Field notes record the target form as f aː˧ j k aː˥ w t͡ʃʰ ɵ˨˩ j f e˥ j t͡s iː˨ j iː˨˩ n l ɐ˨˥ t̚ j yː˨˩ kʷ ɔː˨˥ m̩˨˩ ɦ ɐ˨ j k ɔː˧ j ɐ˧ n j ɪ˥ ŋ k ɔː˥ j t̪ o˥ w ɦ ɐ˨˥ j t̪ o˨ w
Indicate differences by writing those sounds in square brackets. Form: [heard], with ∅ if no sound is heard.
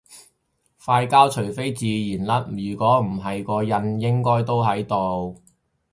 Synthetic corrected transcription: f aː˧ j k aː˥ w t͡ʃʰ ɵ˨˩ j f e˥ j t͡s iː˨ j iː˨˩ n l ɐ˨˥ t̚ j yː˨˩ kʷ ɔː˨˥ m̩˨˩ ɦ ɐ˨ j k ɔː˧ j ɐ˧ n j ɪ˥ ŋ k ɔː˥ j t̪ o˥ w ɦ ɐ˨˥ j t̪ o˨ w